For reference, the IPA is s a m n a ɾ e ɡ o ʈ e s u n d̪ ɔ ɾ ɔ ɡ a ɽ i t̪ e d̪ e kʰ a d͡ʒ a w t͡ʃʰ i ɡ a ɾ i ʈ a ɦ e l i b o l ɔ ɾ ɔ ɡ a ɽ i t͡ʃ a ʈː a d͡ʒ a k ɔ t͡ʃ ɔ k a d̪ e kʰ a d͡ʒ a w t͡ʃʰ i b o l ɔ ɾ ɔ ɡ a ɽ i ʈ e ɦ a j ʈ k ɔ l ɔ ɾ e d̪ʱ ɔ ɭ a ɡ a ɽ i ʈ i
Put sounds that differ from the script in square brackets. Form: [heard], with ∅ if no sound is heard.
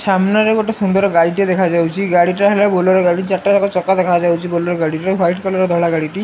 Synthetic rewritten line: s a m n a ɾ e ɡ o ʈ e s u n d̪ ɔ ɾ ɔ ɡ a ɽ i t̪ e d̪ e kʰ a d͡ʒ a w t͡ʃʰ i ɡ a [ɽ] i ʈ a ɦ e l [a] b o l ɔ ɾ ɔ ɡ a ɽ i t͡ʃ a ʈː a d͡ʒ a k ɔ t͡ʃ ɔ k a d̪ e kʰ a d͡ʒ a w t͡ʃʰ i b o l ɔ ɾ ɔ ɡ a ɽ i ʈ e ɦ a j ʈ k ɔ l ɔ ɾ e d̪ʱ ɔ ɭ a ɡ a ɽ i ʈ i